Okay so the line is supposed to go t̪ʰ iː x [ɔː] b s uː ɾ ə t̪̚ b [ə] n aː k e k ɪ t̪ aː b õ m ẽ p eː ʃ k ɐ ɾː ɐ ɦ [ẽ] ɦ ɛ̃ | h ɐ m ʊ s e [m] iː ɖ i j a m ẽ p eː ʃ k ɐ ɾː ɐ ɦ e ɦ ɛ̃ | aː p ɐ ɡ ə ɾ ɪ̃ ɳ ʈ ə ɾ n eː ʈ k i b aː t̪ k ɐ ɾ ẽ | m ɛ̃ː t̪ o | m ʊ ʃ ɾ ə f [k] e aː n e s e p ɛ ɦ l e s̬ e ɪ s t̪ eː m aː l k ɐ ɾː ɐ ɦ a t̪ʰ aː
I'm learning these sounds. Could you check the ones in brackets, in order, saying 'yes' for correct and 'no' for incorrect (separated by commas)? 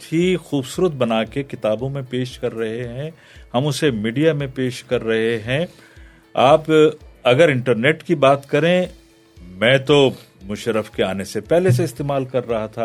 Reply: no, no, no, yes, yes